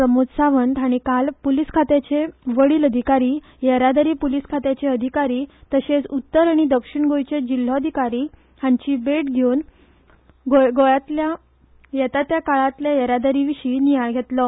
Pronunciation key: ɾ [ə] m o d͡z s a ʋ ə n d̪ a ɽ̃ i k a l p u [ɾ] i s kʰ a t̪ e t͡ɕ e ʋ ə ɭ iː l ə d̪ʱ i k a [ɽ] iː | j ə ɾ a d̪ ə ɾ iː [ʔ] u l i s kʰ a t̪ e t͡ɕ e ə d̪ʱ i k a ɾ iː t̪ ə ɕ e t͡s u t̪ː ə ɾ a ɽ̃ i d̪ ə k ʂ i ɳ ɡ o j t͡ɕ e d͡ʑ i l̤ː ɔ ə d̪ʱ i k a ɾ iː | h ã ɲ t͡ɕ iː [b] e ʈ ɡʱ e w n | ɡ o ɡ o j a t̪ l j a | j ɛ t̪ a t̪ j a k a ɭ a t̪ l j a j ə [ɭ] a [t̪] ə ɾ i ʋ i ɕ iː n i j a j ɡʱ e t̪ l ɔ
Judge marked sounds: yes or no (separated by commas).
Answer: yes, no, no, no, yes, no, no